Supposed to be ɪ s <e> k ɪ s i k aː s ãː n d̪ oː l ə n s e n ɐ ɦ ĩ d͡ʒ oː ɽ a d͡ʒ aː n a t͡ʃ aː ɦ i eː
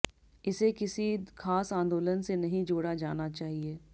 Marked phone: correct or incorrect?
correct